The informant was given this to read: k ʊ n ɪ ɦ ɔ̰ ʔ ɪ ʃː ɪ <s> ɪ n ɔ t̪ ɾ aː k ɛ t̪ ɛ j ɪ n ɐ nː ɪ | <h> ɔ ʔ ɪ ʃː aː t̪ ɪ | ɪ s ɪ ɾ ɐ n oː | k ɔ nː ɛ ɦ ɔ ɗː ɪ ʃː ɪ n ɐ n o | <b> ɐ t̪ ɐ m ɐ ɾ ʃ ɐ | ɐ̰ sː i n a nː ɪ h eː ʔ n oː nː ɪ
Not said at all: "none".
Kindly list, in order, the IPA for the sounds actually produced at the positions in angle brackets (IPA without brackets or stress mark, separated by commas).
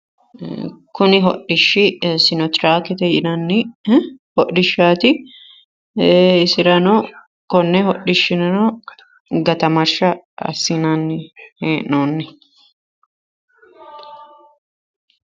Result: s, h, ɡ